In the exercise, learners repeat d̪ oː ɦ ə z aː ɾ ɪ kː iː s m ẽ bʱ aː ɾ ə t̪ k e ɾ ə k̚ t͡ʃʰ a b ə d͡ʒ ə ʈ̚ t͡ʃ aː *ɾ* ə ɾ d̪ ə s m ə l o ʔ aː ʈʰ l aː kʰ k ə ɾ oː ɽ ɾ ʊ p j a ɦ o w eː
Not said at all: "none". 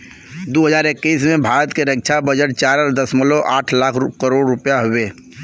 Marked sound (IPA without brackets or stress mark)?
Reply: ɾ